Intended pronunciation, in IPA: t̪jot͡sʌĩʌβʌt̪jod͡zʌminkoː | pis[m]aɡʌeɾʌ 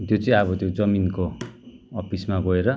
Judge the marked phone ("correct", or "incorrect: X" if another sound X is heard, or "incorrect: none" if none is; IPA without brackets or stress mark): correct